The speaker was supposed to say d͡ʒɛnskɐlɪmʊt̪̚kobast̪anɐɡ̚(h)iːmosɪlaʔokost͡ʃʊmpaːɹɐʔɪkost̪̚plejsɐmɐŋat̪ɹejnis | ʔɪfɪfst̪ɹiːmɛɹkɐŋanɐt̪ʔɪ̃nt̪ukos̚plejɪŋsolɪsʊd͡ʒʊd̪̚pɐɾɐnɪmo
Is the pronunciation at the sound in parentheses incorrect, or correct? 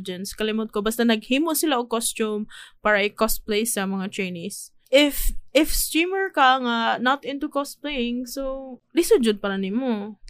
correct